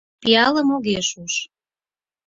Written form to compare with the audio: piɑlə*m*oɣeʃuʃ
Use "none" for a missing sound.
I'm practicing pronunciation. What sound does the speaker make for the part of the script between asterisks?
m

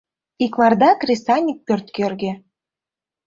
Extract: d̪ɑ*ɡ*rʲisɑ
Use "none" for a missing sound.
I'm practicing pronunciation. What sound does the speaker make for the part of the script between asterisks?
k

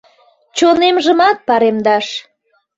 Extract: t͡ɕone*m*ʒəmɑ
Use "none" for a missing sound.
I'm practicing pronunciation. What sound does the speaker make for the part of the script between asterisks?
m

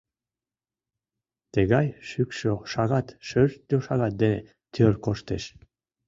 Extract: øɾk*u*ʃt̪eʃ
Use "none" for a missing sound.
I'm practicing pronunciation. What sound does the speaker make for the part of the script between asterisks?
o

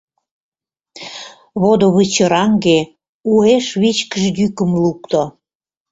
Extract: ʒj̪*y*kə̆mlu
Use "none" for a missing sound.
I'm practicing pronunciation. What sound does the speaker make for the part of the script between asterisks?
y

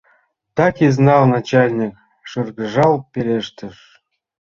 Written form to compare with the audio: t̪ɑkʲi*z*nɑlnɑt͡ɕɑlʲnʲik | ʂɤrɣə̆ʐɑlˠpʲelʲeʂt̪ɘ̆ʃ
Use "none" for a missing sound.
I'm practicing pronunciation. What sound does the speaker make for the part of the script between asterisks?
z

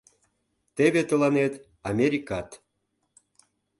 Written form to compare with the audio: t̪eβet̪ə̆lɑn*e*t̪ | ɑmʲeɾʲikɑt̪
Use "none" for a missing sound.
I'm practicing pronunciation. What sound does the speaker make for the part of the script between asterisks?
e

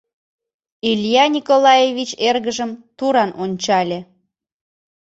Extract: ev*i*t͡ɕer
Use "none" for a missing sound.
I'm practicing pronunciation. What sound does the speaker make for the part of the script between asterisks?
i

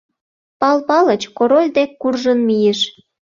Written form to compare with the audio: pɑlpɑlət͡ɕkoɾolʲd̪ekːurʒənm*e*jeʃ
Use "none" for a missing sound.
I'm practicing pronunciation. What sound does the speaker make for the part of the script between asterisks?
i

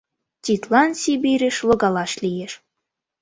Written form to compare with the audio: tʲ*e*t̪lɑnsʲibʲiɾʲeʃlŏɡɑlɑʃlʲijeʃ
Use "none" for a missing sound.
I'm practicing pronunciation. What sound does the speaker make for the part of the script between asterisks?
i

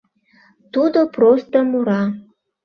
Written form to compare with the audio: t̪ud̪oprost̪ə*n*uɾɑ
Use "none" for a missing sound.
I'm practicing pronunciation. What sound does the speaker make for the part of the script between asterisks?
m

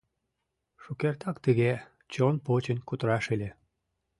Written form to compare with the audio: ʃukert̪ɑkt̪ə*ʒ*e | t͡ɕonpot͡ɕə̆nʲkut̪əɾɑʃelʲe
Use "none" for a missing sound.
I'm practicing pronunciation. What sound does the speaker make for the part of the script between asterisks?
ɣ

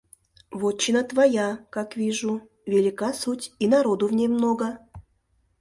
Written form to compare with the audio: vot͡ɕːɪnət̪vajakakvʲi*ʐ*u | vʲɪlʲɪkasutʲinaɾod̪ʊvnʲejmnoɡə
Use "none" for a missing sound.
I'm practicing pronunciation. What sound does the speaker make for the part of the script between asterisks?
ʐ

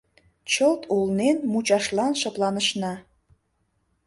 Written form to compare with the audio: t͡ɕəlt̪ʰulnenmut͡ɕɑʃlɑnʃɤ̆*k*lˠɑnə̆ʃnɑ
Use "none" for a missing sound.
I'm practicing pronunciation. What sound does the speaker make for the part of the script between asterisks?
p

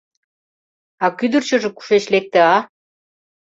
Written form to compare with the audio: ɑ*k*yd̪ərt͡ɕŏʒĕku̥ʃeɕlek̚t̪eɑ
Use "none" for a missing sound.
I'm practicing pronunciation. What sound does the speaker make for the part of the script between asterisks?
k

